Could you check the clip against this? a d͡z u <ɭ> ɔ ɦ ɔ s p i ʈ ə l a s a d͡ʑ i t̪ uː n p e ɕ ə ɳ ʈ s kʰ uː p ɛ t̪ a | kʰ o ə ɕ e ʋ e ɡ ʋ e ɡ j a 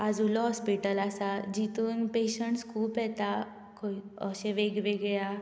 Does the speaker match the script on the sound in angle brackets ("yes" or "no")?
no